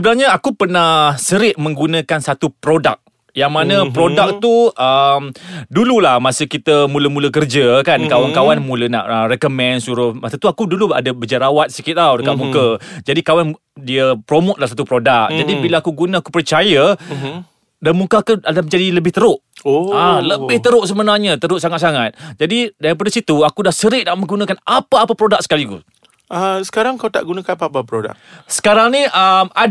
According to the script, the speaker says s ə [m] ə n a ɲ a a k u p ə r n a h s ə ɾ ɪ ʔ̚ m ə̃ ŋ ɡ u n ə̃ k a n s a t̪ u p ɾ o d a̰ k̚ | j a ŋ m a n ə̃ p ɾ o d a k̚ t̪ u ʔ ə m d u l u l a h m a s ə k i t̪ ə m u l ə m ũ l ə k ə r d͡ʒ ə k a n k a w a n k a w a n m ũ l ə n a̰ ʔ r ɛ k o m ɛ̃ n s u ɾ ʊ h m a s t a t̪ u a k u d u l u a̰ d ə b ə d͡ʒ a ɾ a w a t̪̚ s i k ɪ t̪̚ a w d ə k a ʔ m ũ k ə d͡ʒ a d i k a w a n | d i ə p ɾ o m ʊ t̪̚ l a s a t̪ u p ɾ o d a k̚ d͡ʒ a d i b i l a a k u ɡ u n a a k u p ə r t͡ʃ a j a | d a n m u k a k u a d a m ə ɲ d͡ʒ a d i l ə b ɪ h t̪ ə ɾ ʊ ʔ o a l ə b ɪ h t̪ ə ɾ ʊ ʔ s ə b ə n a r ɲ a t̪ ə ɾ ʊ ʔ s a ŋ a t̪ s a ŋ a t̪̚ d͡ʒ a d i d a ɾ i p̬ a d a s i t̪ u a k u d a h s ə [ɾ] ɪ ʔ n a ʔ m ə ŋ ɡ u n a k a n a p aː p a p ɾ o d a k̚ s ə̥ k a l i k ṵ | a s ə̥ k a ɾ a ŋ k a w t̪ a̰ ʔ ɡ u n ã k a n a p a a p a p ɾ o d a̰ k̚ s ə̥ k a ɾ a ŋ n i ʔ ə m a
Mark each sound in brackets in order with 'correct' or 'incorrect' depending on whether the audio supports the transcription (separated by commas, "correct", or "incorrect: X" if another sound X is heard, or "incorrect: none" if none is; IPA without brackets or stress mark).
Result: incorrect: b, correct